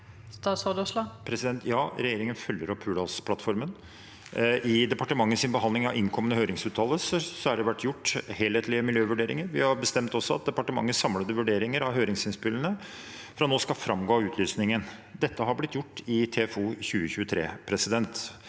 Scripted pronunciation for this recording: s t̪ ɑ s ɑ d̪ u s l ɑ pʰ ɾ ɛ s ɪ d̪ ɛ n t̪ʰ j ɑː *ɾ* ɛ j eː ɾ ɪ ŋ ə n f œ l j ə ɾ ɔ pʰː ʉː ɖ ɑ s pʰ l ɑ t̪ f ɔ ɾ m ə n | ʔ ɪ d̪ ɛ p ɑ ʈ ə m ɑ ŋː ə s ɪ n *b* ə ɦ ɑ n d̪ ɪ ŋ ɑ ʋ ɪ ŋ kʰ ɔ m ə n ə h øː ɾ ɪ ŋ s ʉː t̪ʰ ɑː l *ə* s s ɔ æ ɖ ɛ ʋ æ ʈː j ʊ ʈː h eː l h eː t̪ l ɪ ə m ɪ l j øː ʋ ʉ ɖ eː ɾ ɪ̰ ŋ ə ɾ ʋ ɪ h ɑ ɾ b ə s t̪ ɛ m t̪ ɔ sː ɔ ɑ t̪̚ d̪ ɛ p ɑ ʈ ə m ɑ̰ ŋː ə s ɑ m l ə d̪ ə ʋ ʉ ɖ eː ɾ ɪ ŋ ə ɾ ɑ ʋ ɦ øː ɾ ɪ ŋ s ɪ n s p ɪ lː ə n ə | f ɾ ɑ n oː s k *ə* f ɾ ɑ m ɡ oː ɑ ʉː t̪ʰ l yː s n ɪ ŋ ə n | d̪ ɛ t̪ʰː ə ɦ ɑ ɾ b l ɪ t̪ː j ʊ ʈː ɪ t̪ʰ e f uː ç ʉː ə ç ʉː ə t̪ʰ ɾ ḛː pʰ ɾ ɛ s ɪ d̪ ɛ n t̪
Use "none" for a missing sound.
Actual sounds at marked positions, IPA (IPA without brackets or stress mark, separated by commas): ɾ, b, ə, ɑ